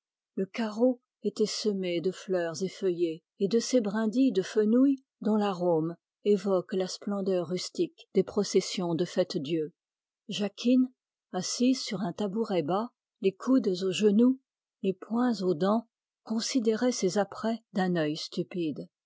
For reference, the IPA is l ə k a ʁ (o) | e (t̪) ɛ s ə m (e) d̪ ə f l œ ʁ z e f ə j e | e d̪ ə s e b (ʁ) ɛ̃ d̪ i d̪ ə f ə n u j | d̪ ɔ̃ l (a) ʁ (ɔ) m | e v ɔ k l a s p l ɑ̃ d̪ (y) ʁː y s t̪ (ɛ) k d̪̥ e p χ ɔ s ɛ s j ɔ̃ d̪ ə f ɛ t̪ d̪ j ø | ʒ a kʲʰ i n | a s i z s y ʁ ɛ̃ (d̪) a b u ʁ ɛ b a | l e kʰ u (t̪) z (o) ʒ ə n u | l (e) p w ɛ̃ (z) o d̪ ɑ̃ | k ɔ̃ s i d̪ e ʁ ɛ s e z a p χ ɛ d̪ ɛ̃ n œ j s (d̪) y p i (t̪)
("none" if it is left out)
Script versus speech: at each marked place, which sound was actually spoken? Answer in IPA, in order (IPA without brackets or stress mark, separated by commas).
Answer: o, t̪, e, ʁ, a, o, œ, i, t̪, d̪, o, e, z, t̪, d̪